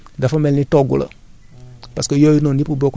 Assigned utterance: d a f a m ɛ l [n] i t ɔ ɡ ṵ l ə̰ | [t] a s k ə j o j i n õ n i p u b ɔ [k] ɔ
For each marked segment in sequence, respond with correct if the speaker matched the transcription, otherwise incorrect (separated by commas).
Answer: correct, incorrect, correct